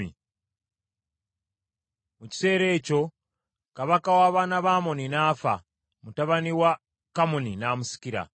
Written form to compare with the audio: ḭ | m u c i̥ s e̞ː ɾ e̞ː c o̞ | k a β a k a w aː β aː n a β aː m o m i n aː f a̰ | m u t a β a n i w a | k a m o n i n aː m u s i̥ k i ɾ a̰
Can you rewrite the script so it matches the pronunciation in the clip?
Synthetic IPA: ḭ | m u c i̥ s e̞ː ɾ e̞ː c o̞ | k a β a k a w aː β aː n a β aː m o n i n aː f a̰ | m u t a β a n i w a | k a m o n i n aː m u s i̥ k i ɾ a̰

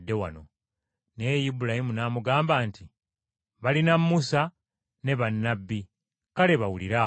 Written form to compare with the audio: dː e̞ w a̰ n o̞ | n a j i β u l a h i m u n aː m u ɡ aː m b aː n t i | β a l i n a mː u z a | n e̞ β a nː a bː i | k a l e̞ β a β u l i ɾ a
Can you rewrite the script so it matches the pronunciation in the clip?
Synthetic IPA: dː e̞ w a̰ n o̞ | n e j i b u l a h i m u n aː m u ɡ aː m b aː n t i | β a l i n a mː u s a | n e̞ β a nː a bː i | k a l e̞ β a w u l i ɾ a

